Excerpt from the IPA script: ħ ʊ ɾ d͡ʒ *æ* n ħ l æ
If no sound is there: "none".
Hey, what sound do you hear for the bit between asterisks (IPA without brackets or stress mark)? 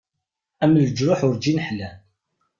i